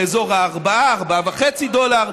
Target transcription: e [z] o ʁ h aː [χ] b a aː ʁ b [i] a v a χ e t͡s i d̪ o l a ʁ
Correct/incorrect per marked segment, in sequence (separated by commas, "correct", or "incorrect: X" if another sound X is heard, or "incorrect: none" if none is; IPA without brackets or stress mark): correct, incorrect: ʁ, incorrect: a